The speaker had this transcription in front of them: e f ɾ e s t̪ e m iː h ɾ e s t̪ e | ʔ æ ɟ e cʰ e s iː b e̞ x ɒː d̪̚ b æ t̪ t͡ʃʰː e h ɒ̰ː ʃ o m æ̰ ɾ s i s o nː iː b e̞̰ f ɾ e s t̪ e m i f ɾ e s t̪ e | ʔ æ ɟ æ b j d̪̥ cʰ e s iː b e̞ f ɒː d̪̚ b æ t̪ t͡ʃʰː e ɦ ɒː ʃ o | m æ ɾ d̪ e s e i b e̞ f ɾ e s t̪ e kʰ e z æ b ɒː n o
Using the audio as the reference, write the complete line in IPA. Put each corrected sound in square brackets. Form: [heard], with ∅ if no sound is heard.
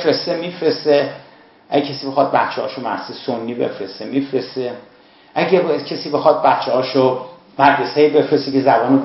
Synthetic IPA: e f ɾ e s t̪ e m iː [f] ɾ e s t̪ e | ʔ æ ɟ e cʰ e s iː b e̞ x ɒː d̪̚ b æ t̪ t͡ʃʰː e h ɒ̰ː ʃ o m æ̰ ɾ s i s o nː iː b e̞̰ f ɾ e s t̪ e m i f ɾ e s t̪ e | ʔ æ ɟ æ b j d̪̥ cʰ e s iː b e̞ [x] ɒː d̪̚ b æ t̪ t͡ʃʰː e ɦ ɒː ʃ o | m æ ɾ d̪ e s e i b e̞ f ɾ e s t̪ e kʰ e z æ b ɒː n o